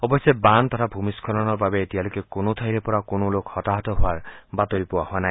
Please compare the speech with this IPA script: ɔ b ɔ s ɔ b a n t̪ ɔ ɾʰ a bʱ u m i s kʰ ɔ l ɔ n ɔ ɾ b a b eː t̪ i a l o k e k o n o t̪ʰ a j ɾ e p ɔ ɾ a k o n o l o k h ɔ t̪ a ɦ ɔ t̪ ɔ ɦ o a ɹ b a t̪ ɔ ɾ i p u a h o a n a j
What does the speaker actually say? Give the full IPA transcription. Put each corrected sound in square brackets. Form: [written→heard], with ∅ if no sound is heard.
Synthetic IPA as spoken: ɔ b ɔ s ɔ b a n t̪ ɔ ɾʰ a bʱ u m i s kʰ ɔ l ɔ n ɔ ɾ b a b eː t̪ i a l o k e k o n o t̪ʰ a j ɾ e p ɔ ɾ a k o n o l o k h ɔ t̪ a ɦ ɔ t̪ ɔ ɦ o a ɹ b a t̪ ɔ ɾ i p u a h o a n a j

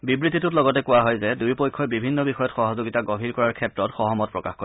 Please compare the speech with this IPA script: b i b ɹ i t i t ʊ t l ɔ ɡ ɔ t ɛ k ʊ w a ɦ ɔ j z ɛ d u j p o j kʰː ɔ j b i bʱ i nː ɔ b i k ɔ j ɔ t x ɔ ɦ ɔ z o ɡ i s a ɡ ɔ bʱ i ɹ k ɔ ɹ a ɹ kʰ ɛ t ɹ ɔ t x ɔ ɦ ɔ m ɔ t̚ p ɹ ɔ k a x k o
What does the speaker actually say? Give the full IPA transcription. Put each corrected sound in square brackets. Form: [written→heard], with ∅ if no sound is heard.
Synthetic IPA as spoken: b i b ɹ i t i t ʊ t l ɔ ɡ ɔ t ɛ k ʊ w a ɦ ɔ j z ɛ d u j p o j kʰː ɔ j b i bʱ i nː ɔ b i [k→x] ɔ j ɔ t x ɔ ɦ ɔ z o ɡ i [s→t] a ɡ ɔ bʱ i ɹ k ɔ ɹ a ɹ kʰ ɛ t ɹ ɔ t x ɔ ɦ ɔ m ɔ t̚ p ɹ ɔ k a x k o

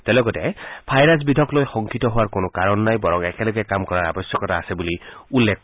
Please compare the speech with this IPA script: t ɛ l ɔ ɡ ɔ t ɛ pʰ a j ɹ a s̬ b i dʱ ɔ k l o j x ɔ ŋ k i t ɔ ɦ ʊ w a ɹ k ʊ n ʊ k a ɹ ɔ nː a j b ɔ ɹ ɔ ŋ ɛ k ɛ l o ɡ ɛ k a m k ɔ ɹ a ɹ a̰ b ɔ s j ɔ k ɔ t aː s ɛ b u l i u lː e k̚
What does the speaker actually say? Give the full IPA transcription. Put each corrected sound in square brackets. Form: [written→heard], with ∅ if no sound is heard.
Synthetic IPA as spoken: t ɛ l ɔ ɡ ɔ t ɛ pʰ a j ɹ a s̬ b i dʱ ɔ k l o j x ɔ ŋ k i t ɔ ɦ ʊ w a ɹ k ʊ n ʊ k a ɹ ɔ nː a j b ɔ ɹ ɔ ŋ ɛ k ɛ l [o→ɔ] ɡ ɛ k a m k ɔ ɹ a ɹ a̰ b ɔ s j ɔ k ɔ t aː s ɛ b u l i u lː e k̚

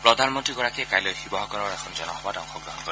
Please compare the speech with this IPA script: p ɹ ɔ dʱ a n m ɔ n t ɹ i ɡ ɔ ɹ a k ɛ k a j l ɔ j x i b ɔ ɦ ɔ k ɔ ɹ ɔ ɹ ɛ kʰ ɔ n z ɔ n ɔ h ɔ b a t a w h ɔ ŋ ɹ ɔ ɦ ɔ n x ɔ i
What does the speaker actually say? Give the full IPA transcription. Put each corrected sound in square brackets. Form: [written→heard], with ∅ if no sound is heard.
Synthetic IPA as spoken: p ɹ ɔ dʱ a n m ɔ n t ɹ i ɡ ɔ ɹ a k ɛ k a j l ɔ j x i b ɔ ɦ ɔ k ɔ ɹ ɔ ɹ ɛ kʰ ɔ n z ɔ n ɔ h ɔ b a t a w [h→x] ɔ [ŋ→ɡ] ɹ ɔ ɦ ɔ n [x→k] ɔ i

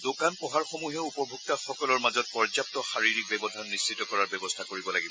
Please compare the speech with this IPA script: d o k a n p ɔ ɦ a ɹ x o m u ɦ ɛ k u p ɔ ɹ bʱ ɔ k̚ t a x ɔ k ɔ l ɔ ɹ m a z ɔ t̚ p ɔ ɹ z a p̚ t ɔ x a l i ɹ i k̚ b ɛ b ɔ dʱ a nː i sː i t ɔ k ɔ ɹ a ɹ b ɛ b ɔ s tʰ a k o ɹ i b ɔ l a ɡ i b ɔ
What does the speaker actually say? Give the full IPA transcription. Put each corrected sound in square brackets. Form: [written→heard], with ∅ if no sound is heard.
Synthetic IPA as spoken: d o k a n p ɔ ɦ a ɹ x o m u ɦ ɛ [k→∅] u p ɔ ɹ bʱ [ɔ→u] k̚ t a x ɔ k ɔ l ɔ ɹ m a z ɔ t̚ p ɔ ɹ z a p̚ t ɔ x a [l→ɹ] i ɹ i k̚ b ɛ b ɔ dʱ a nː i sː i t ɔ k ɔ ɹ a ɹ b ɛ b ɔ s tʰ a k o ɹ i b ɔ l a ɡ i b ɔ

